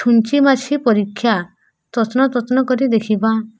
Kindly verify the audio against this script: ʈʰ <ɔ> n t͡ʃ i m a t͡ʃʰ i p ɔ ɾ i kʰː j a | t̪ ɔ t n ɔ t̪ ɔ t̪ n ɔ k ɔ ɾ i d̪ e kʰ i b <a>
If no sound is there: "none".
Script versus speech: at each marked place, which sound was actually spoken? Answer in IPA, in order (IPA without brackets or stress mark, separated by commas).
u, a